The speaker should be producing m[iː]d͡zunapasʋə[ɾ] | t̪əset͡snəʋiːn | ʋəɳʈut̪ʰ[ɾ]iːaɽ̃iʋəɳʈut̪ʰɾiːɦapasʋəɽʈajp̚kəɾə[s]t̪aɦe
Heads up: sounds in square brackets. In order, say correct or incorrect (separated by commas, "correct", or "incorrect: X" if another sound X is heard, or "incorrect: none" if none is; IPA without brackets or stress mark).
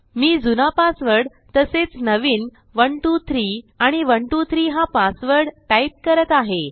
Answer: correct, incorrect: ɽ, correct, incorrect: none